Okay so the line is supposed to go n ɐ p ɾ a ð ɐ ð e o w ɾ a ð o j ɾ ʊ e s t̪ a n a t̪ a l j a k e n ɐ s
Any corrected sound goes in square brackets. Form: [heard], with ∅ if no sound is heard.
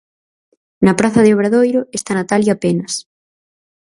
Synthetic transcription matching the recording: n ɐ p ɾ a [θ] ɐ ð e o [β] ɾ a ð o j ɾ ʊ e s t̪ a n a t̪ a l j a [p] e n ɐ s